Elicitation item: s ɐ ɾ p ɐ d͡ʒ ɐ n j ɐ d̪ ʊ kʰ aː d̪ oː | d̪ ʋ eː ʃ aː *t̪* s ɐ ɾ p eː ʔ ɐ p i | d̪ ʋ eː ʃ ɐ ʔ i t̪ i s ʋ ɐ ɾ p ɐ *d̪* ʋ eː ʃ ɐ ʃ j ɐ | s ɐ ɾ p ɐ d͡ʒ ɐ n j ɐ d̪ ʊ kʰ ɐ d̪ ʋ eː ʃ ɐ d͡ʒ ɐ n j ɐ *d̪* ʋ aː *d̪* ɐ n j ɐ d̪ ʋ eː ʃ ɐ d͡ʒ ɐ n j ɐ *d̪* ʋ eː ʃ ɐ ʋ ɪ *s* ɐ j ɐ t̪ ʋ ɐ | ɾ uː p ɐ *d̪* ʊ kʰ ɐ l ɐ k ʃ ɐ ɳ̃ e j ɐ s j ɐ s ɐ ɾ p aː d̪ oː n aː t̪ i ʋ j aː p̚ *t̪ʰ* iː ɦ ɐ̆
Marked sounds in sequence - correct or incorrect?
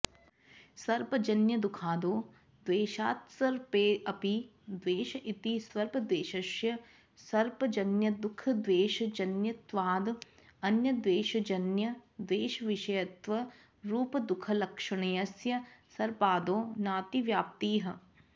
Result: correct, correct, incorrect, correct, correct, incorrect, correct, incorrect

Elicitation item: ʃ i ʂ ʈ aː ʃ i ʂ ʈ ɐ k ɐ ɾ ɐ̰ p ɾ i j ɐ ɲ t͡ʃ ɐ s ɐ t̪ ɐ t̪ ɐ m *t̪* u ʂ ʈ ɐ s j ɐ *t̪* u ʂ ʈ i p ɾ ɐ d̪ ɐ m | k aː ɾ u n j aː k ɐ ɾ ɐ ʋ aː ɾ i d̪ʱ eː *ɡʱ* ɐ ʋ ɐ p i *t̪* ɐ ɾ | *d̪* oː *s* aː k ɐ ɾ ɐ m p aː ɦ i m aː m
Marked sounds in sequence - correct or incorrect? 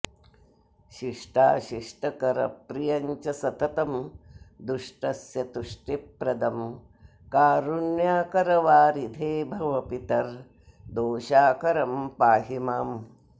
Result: incorrect, correct, incorrect, correct, correct, incorrect

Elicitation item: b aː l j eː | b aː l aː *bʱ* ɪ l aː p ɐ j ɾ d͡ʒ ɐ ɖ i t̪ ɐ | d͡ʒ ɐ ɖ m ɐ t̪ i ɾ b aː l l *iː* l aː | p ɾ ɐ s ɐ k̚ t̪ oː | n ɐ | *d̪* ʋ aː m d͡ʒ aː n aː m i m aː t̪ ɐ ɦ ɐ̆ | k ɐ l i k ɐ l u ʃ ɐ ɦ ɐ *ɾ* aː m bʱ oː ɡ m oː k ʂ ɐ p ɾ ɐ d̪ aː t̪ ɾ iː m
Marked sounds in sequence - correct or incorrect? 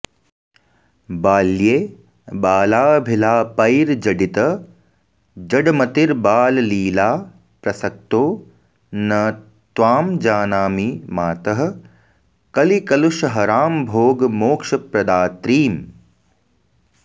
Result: correct, correct, incorrect, correct

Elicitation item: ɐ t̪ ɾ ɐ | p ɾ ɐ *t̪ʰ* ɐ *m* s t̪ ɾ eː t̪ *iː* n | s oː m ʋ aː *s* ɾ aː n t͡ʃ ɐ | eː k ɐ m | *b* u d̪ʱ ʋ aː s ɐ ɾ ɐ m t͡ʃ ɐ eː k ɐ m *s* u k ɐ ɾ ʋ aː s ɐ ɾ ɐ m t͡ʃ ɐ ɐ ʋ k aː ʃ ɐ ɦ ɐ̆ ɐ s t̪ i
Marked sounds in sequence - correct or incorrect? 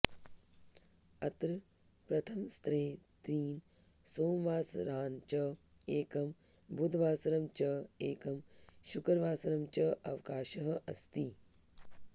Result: correct, correct, correct, correct, correct, incorrect

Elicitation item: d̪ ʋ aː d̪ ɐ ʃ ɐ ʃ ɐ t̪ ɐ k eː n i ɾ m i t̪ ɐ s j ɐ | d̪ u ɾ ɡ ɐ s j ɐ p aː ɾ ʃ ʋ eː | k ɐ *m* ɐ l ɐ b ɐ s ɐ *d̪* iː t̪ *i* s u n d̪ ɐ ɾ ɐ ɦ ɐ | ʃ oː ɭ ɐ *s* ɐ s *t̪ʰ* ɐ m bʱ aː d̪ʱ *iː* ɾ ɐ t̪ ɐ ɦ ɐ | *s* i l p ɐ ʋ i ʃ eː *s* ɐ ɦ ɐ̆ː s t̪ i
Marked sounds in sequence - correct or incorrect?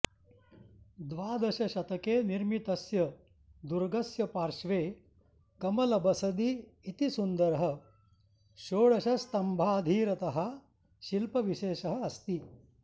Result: correct, correct, correct, incorrect, incorrect, correct, incorrect, incorrect

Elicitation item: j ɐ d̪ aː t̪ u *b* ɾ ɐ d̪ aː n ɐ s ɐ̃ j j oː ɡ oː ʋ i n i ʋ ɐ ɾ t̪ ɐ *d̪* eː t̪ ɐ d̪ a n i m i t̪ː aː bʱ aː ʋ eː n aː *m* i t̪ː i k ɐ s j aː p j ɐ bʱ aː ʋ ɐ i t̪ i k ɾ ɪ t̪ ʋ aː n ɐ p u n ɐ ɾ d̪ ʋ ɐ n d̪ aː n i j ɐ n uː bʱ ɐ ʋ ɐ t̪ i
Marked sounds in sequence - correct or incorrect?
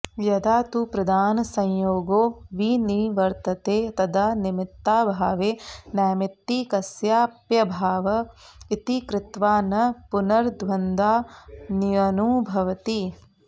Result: incorrect, incorrect, correct

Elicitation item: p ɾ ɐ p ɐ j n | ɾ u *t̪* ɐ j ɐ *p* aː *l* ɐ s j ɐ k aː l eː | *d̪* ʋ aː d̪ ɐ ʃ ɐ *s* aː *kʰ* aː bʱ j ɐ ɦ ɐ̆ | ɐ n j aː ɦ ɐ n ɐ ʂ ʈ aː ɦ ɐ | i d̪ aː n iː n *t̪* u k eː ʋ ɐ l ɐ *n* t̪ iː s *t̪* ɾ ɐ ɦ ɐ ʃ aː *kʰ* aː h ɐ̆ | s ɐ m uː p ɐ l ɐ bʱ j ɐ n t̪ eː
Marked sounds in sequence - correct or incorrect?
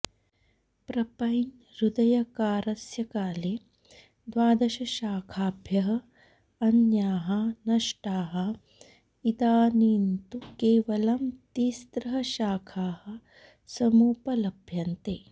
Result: incorrect, incorrect, incorrect, correct, incorrect, correct, correct, incorrect, correct, correct

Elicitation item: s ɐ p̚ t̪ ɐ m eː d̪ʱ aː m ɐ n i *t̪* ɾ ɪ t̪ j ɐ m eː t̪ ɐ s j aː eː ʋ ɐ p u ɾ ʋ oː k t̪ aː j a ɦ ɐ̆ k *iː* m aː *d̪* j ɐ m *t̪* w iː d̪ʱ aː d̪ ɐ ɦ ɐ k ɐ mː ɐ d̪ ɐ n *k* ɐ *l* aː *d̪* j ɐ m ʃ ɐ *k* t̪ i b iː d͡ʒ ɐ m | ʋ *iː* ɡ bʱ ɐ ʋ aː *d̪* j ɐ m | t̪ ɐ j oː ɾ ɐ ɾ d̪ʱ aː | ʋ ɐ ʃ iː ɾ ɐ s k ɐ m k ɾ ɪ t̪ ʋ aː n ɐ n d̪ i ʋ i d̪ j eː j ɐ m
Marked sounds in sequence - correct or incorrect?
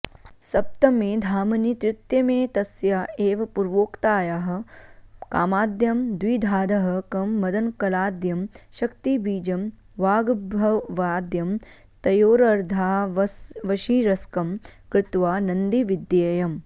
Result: correct, incorrect, correct, incorrect, correct, correct, correct, correct, incorrect, correct

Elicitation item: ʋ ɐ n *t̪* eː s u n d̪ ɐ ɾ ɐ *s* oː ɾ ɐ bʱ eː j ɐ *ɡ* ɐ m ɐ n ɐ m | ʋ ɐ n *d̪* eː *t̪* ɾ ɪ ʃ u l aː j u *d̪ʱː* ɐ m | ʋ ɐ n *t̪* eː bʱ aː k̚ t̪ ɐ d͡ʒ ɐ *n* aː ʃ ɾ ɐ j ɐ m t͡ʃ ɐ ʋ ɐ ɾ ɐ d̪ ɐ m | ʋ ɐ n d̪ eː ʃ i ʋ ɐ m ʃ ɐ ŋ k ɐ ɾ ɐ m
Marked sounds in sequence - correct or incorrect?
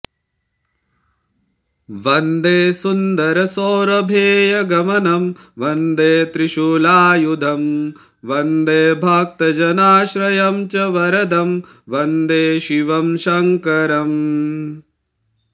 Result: incorrect, correct, correct, correct, correct, incorrect, incorrect, correct

